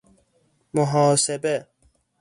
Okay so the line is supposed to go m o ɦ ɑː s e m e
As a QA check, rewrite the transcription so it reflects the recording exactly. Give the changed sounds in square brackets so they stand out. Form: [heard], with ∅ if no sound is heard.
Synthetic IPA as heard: m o ɦ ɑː s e [b] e